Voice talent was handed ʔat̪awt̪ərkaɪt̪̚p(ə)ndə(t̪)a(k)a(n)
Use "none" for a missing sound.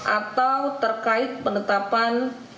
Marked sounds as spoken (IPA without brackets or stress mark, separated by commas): ə, t̪, p, n